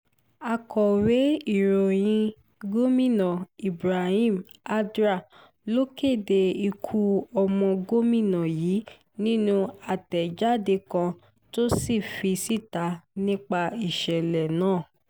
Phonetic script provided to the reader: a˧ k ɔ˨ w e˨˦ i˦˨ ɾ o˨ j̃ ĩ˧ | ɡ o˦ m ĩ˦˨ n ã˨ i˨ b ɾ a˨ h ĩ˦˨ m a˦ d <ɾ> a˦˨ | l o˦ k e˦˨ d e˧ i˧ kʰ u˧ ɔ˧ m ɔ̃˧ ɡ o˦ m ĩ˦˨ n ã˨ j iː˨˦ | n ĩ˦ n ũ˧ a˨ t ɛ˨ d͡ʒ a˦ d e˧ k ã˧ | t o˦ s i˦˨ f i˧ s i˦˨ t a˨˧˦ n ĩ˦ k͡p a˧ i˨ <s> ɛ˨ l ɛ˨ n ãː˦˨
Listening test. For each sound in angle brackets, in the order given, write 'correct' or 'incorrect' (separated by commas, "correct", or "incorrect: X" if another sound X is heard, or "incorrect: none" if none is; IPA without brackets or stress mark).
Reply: correct, incorrect: ʃ